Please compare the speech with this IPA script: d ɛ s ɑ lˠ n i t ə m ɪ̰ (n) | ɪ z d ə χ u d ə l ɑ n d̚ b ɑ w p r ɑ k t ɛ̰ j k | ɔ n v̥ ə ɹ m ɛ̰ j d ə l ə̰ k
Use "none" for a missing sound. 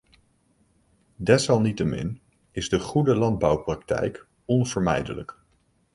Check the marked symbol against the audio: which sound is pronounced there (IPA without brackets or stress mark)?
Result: n